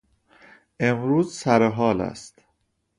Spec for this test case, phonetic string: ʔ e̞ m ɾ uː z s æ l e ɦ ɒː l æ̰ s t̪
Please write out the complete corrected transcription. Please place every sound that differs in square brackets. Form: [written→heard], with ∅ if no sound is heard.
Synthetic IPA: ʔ e̞ m ɾ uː z s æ [l→ɾ] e ɦ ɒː l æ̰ s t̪